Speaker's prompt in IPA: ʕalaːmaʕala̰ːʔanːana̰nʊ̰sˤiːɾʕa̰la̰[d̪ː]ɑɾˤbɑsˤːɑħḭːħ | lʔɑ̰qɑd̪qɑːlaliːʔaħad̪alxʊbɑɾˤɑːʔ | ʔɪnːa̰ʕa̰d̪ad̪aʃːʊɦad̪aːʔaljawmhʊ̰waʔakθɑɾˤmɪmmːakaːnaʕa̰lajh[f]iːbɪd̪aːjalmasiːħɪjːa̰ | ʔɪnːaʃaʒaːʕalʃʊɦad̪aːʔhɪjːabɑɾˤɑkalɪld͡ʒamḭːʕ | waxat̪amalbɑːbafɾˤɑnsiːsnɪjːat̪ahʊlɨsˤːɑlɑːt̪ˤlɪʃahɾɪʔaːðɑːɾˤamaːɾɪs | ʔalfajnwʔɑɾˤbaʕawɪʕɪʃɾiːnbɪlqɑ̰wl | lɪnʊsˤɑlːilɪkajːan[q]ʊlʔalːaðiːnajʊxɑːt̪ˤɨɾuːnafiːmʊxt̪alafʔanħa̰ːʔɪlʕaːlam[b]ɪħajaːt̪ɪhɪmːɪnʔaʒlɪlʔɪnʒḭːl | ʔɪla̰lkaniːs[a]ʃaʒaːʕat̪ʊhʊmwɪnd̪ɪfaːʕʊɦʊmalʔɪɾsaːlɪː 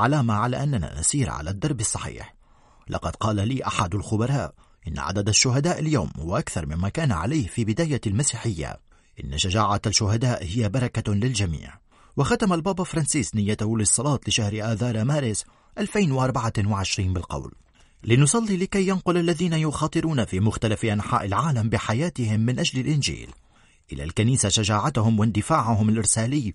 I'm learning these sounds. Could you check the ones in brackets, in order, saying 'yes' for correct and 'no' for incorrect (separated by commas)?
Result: yes, yes, yes, yes, yes